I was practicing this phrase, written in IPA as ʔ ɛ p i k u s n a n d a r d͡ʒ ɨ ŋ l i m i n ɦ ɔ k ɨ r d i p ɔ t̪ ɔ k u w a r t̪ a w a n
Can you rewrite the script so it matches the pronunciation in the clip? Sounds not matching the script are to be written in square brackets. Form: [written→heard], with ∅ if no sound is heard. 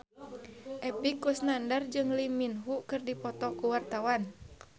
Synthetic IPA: ʔ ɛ p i k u s n a n d a r d͡ʒ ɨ ŋ l i m i n ɦ [ɔ→u] k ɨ r d i p ɔ t̪ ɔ k u w a r t̪ a w a n